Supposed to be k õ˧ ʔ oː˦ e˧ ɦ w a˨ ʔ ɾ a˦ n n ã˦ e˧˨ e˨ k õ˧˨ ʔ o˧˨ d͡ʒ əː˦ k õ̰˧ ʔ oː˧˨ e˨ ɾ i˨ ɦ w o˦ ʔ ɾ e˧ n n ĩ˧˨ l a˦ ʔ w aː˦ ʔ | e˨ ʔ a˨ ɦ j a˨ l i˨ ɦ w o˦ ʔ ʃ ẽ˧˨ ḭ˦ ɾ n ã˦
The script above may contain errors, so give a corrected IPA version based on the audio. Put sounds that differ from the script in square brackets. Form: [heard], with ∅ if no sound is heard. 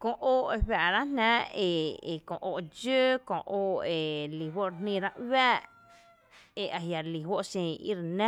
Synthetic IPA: k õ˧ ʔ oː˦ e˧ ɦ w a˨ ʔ ɾ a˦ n n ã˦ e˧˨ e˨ k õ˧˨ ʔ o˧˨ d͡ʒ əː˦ k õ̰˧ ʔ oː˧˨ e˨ [l] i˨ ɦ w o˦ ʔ ɾ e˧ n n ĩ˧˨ [ɾ] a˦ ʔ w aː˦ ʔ | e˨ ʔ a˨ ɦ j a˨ l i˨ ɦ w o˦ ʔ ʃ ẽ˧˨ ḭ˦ ɾ n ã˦

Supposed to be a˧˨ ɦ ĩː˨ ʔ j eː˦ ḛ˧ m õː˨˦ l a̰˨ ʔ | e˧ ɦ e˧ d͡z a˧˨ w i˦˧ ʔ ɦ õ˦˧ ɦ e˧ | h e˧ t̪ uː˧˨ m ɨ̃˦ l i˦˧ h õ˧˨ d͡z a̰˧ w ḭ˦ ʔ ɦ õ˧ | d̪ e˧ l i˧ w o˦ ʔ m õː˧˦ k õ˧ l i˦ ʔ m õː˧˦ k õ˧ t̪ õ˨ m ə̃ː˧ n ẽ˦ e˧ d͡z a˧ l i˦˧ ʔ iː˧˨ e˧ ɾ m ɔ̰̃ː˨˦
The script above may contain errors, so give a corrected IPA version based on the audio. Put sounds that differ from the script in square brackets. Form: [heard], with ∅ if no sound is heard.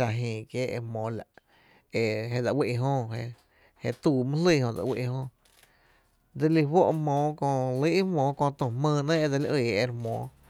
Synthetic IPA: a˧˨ ɦ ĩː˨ [k] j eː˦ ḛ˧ m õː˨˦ l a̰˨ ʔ | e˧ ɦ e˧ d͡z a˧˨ w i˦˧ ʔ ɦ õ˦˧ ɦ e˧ | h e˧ t̪ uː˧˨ m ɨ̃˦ l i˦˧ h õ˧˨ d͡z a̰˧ w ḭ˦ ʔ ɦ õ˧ | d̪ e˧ l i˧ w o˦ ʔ m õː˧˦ k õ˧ l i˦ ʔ m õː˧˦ k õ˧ t̪ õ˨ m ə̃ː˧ n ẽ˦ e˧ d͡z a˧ l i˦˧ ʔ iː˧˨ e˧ ɾ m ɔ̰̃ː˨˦

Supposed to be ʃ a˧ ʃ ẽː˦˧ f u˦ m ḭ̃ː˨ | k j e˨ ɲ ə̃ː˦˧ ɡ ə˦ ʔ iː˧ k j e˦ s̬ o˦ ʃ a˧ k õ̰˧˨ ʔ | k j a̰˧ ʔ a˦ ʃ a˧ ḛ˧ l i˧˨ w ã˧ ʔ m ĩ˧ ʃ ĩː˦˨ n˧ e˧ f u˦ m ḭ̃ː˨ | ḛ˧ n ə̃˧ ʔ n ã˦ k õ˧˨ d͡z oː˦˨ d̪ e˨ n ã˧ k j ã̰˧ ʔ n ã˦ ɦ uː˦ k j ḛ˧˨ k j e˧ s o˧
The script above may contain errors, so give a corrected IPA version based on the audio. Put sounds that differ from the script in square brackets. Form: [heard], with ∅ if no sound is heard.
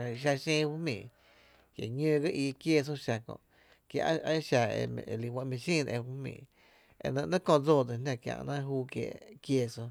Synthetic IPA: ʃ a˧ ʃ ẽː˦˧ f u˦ m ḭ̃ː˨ | k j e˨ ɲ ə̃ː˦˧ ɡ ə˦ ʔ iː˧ k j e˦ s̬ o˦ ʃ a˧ k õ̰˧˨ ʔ | k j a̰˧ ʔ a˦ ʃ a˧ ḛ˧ l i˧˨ w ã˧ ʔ m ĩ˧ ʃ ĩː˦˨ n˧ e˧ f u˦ m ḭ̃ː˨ | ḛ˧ n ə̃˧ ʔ n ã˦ k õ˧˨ d͡z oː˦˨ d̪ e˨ n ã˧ k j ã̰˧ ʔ n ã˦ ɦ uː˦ k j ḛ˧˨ k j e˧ s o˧

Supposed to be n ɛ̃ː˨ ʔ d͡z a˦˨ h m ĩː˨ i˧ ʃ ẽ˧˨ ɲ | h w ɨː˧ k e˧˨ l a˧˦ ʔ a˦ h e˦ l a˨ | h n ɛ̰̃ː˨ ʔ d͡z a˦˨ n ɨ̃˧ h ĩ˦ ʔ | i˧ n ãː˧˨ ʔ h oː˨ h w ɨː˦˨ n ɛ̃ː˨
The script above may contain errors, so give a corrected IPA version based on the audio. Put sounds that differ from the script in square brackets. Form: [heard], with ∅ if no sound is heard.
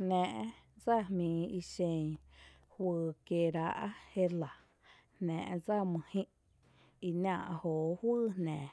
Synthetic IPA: n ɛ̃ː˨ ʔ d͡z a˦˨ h m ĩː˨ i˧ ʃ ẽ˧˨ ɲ | h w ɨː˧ k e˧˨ [ɾ] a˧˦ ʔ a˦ h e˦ l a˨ | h n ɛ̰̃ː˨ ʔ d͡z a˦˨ [m] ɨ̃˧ h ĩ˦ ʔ | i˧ n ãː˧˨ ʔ h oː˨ h w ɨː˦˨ n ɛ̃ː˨

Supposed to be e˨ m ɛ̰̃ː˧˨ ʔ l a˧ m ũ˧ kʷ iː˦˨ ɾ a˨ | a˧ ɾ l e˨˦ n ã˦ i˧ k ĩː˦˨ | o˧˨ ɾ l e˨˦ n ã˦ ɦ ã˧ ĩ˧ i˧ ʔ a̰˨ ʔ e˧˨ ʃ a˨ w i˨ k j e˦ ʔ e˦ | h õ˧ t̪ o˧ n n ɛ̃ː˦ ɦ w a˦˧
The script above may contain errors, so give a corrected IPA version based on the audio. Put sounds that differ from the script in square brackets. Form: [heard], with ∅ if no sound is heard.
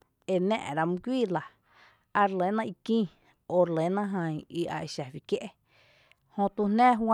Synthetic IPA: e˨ [n] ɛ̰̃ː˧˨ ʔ [ɾ] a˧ m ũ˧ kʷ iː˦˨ [l] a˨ | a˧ ɾ l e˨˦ n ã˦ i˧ k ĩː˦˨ | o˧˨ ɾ l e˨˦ n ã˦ ɦ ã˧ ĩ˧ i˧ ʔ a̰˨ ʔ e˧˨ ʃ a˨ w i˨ k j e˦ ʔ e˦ | h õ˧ t̪ [u˧] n n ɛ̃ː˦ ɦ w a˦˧

